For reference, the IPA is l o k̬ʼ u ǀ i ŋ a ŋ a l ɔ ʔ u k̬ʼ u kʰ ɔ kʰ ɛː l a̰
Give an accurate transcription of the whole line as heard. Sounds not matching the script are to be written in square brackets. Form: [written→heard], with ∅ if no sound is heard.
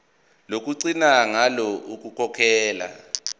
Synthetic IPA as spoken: l o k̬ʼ u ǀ i [ŋ→n] a ŋ a l ɔ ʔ u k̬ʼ u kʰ ɔ kʰ ɛː l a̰